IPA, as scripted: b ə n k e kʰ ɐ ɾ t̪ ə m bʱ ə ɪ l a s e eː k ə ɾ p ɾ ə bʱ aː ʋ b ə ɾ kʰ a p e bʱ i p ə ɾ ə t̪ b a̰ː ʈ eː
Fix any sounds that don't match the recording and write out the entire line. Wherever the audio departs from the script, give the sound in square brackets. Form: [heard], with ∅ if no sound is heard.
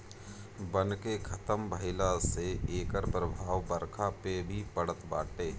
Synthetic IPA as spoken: b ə n k e kʰ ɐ [∅] t̪ ə m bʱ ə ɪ l a s e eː k ə ɾ p ɾ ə bʱ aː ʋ b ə ɾ kʰ a p e bʱ i p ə [ɽ] ə t̪ b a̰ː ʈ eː